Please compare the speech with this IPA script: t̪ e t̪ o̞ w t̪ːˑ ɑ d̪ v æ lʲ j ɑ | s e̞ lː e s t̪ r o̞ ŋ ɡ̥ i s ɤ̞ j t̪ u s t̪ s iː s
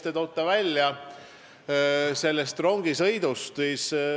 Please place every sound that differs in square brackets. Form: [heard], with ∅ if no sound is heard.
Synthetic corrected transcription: t̪ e t̪ o̞ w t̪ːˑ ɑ [∅] v æ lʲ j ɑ | s e̞ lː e s t̪ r o̞ ŋ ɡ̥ i s ɤ̞ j [d̪] u s t̪ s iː s